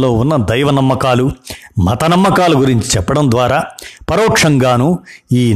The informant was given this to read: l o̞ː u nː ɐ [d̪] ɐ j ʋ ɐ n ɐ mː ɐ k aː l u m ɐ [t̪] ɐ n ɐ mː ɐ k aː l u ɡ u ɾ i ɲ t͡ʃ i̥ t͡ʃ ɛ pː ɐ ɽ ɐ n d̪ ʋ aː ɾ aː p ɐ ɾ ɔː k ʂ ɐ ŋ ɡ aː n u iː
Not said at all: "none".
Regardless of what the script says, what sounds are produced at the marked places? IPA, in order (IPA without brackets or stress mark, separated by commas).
d̪, t̪